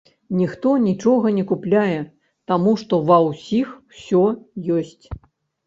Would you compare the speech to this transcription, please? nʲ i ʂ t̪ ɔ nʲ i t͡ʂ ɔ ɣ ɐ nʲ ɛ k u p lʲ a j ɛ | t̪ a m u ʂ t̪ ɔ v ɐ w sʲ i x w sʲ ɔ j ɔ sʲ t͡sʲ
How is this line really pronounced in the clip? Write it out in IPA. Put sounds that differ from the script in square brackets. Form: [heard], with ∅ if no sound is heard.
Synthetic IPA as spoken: nʲ i [x] t̪ ɔ nʲ i t͡ʂ ɔ ɣ ɐ nʲ ɛ k u p lʲ a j ɛ | t̪ a m u ʂ t̪ ɔ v ɐ w sʲ i x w sʲ ɔ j ɔ sʲ t͡sʲ